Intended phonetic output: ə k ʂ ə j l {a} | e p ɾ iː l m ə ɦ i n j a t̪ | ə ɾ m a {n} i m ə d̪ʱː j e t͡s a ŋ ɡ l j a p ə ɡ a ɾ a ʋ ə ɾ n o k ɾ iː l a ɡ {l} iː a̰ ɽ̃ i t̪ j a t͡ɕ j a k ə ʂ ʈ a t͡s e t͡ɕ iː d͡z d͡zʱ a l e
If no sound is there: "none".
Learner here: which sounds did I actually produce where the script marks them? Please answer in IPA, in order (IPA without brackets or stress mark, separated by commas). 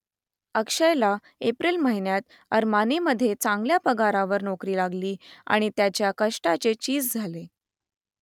a, n, l